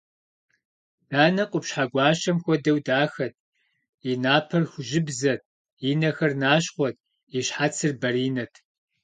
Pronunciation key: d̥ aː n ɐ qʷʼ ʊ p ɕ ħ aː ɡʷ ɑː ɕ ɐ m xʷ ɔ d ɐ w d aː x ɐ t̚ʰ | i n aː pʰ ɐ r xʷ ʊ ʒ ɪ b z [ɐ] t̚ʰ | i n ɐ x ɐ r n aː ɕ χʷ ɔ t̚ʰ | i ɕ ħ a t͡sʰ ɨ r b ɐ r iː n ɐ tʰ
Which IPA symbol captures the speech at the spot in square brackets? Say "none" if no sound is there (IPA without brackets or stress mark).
ɐ